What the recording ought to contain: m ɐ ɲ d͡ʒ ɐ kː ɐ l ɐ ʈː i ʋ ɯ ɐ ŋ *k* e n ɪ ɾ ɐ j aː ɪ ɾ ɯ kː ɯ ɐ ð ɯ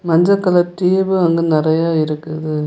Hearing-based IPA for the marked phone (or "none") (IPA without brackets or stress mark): ɡ